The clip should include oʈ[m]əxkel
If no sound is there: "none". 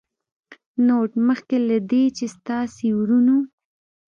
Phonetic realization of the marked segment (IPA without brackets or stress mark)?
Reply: m